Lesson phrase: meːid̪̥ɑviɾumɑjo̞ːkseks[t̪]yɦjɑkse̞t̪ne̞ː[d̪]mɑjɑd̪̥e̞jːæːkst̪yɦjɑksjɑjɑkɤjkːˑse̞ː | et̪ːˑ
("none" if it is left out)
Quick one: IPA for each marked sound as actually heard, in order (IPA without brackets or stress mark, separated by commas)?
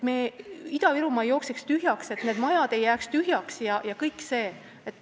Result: t̪, d̪